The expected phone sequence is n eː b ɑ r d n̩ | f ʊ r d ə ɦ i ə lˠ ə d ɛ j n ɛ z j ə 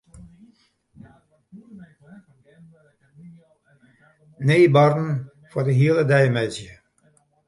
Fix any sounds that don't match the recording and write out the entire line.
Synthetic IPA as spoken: n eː b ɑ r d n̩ | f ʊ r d ə ɦ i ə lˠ ə d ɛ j m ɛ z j ə